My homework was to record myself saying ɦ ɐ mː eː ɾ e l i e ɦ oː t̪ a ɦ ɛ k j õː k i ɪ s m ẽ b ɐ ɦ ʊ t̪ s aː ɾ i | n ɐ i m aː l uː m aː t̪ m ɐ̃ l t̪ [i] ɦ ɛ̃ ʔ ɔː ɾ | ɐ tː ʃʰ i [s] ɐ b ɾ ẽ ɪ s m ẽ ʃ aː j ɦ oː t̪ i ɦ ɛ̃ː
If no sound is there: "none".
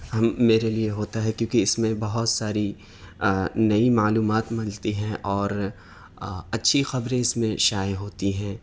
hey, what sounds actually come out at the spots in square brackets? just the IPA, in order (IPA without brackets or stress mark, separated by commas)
i, x